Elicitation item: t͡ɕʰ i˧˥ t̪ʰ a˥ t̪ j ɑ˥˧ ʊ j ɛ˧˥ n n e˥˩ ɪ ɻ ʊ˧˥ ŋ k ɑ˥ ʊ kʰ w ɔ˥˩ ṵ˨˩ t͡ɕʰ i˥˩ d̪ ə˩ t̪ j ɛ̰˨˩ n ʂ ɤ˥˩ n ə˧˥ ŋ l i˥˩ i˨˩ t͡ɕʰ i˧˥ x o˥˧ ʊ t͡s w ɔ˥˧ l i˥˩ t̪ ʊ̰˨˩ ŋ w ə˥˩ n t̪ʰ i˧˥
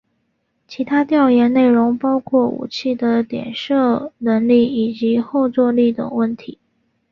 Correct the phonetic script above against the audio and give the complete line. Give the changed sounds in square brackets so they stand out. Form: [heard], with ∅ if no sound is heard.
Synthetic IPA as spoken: t͡ɕʰ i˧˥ t̪ʰ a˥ t̪ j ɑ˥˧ ʊ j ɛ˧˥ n n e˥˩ ɪ ɻ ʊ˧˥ ŋ [p] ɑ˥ ʊ kʰ w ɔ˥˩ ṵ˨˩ t͡ɕʰ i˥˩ d̪ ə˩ t̪ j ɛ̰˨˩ n ʂ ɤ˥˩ n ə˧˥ ŋ l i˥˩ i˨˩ [t͡ɕ] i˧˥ x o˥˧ ʊ t͡s w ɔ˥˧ l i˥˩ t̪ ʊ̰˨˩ ŋ w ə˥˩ n t̪ʰ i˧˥